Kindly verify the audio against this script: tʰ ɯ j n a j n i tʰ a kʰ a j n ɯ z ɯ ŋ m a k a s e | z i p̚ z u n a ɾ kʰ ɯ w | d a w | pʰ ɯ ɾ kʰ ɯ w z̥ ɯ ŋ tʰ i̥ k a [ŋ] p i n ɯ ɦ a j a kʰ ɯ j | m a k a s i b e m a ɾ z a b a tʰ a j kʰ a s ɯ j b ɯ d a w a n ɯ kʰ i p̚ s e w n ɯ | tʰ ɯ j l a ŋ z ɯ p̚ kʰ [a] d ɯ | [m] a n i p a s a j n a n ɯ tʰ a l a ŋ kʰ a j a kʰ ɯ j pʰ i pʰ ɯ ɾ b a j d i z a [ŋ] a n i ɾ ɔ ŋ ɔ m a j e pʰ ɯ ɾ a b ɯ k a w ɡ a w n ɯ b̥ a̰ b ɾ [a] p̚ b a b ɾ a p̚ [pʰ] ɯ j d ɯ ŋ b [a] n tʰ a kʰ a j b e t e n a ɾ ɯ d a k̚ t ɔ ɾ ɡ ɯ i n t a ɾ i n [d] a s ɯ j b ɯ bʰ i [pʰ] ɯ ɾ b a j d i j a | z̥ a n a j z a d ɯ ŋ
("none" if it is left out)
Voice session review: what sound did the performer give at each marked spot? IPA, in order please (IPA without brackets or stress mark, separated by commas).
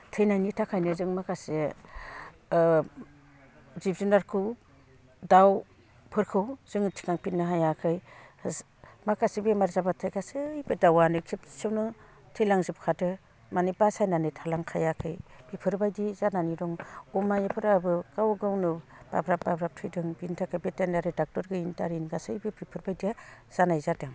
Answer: ŋ, a, m, n, a, tʰ, i, ɡ, pʰ